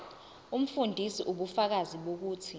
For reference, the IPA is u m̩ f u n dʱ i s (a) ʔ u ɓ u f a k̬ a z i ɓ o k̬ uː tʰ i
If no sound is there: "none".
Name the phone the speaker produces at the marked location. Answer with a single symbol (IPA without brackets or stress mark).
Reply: i